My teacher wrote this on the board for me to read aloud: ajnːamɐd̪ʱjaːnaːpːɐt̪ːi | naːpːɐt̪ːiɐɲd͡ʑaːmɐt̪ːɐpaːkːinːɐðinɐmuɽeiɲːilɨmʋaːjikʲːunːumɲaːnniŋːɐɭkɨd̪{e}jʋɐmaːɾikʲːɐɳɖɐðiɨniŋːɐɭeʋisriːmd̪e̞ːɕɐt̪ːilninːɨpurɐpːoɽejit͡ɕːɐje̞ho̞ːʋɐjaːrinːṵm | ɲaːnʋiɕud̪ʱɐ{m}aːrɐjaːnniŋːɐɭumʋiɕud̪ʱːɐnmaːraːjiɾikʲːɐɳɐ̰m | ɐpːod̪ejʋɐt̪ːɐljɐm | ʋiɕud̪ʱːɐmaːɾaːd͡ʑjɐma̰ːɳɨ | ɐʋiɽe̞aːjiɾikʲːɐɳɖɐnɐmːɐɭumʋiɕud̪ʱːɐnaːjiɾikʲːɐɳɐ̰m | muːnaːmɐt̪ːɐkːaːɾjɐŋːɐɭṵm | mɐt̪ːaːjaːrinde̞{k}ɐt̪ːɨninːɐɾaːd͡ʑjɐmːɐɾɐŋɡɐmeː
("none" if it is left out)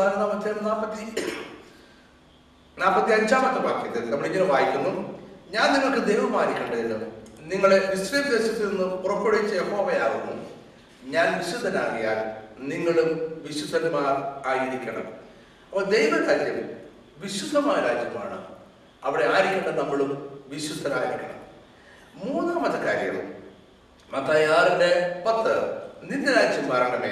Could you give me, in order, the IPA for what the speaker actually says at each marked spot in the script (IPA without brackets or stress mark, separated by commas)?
e, n, p